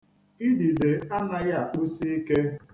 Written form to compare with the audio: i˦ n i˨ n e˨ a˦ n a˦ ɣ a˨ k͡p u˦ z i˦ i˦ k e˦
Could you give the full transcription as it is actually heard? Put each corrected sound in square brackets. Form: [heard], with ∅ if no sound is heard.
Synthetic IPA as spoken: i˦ [d] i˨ [d] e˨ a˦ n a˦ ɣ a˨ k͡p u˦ [s] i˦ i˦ k e˦